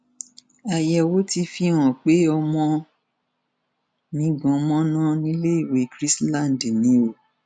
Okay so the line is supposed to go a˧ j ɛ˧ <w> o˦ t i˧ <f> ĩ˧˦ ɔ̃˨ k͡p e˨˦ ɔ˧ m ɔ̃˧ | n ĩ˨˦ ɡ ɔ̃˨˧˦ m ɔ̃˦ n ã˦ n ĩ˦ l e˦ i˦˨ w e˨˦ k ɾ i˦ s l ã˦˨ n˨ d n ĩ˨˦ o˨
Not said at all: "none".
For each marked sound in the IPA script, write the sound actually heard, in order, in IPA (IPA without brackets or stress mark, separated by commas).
w, f